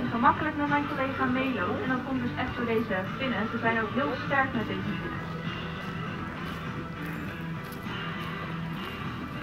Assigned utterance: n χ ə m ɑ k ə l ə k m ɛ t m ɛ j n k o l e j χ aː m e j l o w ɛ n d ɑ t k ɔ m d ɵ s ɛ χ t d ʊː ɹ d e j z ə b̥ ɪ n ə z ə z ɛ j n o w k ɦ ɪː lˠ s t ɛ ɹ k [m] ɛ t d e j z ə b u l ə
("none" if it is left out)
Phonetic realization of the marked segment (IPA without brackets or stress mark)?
m